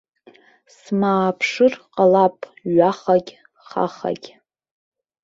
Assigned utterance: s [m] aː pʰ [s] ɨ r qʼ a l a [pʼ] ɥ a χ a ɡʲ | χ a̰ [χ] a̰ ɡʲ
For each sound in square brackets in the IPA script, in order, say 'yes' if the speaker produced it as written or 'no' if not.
yes, no, yes, yes

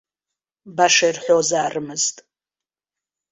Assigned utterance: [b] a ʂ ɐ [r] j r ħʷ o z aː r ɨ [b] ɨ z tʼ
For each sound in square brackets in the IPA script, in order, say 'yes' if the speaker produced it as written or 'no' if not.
yes, no, no

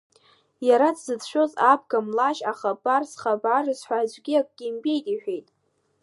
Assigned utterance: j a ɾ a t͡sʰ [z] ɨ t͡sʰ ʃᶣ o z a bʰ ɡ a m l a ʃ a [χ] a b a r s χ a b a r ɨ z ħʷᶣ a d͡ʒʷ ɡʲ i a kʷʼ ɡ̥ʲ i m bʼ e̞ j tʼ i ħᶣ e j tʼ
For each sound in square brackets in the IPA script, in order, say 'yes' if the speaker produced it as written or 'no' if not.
yes, yes

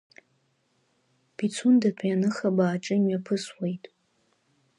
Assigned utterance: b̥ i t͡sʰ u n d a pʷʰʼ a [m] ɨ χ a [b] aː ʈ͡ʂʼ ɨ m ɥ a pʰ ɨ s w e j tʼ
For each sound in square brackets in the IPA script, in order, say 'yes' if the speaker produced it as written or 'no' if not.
no, yes

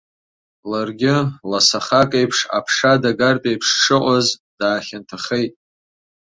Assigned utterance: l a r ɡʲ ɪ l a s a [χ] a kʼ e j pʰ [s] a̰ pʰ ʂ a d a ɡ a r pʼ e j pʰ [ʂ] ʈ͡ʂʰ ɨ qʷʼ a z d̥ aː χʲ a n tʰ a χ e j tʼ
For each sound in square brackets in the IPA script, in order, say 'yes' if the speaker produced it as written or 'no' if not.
yes, no, yes

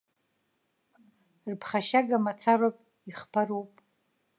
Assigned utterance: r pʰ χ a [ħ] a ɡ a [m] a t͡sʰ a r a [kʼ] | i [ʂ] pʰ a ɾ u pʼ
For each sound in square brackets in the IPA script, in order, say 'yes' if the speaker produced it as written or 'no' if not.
no, yes, no, no

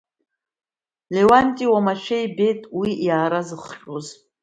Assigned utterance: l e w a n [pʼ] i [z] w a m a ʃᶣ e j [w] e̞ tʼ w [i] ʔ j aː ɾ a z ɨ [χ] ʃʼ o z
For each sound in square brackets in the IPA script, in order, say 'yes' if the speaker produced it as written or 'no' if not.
no, no, no, yes, yes

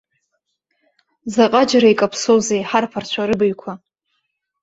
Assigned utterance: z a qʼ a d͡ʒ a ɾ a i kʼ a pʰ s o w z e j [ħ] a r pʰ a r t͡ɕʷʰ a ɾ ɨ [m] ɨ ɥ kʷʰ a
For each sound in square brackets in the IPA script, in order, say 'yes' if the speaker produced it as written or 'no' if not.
yes, no

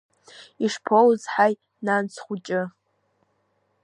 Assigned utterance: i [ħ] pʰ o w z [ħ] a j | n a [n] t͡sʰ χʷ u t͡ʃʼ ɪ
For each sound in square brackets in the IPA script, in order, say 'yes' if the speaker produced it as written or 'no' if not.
no, yes, yes

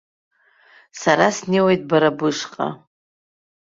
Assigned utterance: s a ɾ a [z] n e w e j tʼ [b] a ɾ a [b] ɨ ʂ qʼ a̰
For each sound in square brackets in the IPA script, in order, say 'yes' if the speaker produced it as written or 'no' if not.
no, yes, yes

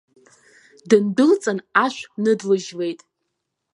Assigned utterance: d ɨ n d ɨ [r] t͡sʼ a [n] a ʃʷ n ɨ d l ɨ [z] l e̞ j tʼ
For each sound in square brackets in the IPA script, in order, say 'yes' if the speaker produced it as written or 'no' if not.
no, yes, no

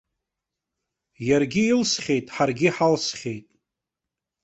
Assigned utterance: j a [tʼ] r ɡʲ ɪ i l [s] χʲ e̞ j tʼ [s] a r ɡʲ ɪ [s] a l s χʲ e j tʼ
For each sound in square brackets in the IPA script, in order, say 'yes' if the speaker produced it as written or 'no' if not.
no, yes, no, no

